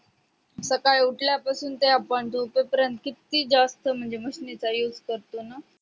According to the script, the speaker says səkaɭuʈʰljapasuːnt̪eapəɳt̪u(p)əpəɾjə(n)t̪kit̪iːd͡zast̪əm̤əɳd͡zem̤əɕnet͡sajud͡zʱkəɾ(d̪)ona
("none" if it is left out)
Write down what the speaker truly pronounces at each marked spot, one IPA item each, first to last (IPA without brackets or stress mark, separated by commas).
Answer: p, n, t̪